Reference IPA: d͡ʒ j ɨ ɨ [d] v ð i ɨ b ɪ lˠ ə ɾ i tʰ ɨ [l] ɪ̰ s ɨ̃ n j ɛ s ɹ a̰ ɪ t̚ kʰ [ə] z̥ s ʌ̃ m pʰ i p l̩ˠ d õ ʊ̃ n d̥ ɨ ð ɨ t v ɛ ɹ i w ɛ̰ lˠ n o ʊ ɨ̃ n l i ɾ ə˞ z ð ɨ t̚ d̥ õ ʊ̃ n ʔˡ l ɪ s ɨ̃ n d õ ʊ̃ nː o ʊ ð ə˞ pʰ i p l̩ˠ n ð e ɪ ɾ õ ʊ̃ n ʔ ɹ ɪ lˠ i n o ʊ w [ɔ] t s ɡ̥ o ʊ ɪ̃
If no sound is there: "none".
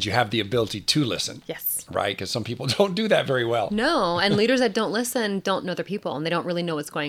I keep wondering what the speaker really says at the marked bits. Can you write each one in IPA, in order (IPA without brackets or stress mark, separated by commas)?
none, l, ʌ, ʌ